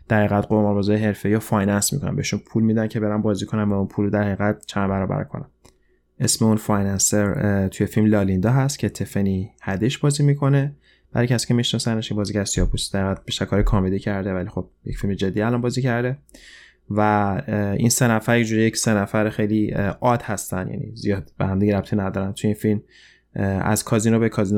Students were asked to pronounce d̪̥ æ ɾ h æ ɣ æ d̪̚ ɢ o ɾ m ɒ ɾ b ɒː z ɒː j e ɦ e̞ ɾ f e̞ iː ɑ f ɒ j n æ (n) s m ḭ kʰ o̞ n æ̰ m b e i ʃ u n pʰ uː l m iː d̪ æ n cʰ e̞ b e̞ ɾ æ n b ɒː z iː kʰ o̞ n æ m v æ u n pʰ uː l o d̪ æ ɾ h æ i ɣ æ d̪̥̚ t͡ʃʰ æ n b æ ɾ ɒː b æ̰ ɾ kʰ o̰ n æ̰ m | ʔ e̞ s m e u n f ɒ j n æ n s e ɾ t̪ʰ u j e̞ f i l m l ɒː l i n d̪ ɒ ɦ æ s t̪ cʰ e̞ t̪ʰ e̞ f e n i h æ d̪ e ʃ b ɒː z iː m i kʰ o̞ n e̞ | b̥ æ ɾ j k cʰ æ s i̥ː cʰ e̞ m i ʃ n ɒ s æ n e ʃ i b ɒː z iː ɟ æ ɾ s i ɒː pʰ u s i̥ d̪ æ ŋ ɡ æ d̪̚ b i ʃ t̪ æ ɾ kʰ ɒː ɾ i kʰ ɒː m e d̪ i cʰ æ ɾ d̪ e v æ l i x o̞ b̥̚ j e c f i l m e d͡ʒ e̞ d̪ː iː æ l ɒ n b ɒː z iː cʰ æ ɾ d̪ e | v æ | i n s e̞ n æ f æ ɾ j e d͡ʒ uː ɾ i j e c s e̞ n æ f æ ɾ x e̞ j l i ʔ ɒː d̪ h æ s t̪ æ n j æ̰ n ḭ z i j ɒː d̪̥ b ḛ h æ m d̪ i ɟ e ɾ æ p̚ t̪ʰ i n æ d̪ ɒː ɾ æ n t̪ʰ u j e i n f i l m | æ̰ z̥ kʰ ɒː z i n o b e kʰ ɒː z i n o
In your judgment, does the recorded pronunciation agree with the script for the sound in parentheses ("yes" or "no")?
yes